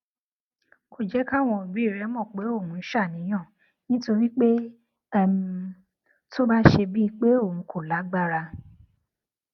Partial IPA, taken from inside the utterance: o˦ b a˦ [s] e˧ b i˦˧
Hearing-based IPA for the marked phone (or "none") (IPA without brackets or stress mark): ʃ